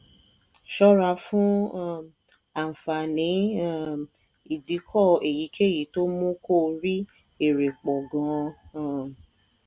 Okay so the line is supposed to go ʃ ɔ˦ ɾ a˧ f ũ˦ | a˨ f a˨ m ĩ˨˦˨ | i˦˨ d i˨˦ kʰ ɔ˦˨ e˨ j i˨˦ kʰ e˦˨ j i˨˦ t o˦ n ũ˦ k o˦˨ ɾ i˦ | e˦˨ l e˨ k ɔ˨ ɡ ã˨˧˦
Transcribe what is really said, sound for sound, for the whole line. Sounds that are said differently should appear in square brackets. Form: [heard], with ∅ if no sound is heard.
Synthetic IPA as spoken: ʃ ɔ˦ ɾ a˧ f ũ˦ | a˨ f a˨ [n] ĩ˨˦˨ | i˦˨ d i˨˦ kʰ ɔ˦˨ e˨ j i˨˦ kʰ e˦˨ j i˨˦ t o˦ [m] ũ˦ k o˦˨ ɾ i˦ | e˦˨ [ɾ] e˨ [k͡p] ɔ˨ ɡ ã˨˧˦